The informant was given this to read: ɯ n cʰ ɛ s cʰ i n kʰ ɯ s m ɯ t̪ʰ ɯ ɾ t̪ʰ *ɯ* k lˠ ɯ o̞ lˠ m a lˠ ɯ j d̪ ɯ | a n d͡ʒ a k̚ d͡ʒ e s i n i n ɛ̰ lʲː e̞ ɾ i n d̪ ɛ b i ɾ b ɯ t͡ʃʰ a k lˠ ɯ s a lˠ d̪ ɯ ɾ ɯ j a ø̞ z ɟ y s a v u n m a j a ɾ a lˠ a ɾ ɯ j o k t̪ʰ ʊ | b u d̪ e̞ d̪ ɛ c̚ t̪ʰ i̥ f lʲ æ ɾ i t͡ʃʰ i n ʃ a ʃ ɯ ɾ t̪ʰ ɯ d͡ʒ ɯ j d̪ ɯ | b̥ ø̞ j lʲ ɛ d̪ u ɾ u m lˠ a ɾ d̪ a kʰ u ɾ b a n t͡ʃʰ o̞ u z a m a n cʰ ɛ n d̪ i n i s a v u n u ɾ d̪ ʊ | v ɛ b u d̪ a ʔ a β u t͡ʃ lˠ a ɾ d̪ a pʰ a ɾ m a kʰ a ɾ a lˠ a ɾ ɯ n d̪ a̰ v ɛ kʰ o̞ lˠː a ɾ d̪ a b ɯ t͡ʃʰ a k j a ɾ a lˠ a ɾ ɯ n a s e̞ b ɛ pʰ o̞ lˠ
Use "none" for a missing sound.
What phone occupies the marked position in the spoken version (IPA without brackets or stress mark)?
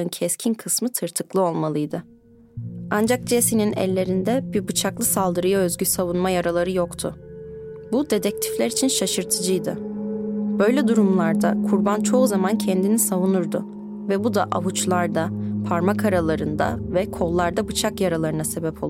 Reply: ɯ